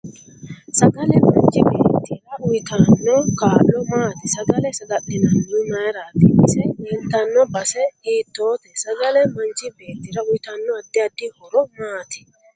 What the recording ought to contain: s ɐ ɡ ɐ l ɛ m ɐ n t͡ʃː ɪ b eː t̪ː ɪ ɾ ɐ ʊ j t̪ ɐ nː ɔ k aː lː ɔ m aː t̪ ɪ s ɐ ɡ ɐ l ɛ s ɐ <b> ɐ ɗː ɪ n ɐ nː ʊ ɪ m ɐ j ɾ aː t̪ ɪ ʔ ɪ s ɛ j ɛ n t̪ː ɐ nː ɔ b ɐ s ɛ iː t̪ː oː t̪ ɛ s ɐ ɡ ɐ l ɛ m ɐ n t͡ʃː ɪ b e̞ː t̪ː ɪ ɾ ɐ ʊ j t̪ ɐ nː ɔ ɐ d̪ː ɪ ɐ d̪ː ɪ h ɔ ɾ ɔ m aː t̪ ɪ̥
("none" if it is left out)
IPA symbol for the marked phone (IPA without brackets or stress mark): ɡ